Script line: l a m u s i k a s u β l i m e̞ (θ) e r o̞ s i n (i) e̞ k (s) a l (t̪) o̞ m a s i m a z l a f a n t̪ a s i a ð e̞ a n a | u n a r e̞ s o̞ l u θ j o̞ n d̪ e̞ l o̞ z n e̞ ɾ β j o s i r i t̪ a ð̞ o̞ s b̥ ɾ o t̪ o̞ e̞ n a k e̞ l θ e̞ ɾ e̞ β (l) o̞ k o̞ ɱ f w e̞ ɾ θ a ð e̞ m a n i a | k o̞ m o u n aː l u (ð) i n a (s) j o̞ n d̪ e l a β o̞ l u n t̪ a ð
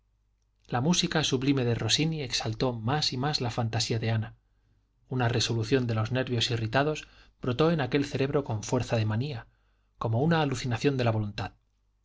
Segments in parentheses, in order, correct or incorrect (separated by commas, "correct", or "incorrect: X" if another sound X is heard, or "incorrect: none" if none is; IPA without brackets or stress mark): incorrect: ð, correct, correct, correct, incorrect: ɾ, incorrect: θ, incorrect: θ